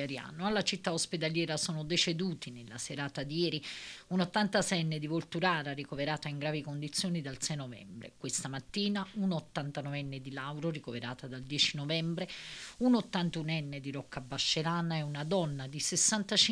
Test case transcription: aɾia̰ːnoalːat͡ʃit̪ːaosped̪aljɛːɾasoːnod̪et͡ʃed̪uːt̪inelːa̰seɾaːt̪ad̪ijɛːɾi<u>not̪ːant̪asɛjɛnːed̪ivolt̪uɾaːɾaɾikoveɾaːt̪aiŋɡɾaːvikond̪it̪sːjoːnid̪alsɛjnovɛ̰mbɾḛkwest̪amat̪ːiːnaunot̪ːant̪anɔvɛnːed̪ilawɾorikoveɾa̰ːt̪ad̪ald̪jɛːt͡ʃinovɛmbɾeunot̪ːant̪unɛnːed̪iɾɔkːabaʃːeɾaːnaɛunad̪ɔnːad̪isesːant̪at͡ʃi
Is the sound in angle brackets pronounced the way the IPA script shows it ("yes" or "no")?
yes